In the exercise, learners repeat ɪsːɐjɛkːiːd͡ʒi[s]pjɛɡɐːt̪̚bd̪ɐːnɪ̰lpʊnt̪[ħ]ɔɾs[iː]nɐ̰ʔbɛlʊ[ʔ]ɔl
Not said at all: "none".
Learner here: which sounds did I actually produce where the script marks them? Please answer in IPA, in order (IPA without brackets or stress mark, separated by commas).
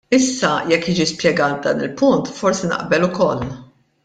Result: s, f, i, k